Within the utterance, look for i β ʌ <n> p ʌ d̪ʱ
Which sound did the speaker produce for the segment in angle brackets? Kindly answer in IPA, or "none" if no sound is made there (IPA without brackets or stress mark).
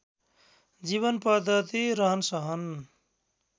n